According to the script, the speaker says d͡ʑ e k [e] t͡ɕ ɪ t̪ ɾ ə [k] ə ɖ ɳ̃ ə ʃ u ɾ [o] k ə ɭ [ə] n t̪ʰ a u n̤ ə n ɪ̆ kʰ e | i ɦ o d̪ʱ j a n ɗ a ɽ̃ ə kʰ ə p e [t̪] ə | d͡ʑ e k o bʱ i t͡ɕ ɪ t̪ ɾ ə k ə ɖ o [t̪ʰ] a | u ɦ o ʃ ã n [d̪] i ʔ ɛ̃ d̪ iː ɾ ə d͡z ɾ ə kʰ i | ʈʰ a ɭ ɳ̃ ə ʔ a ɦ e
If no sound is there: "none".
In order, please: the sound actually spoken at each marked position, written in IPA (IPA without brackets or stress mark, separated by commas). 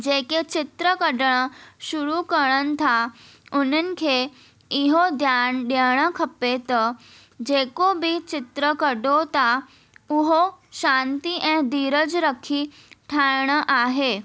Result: e, k, u, ə, t̪, t̪, t̪